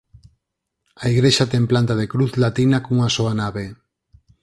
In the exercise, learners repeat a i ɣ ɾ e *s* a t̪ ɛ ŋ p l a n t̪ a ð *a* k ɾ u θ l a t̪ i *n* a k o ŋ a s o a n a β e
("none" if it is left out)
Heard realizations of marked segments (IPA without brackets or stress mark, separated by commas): ʃ, e, n